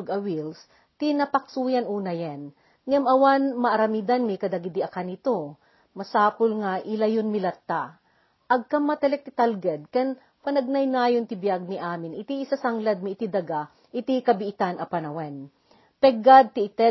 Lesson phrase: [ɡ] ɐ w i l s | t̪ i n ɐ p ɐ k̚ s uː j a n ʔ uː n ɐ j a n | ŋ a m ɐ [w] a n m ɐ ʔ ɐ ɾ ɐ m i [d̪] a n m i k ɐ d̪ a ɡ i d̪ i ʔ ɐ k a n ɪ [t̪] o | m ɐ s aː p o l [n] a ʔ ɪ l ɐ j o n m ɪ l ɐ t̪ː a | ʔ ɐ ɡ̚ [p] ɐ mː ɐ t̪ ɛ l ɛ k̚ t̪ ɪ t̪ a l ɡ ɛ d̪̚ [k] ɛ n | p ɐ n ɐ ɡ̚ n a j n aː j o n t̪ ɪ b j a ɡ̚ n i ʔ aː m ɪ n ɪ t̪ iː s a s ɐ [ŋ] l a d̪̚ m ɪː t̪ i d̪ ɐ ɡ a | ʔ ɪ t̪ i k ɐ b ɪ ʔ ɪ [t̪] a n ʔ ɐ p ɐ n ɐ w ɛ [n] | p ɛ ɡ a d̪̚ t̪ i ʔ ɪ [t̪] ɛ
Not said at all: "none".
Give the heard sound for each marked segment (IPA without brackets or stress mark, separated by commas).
ɡ, w, d̪, t̪, ŋ, k, k, ŋ, t̪, n, t̪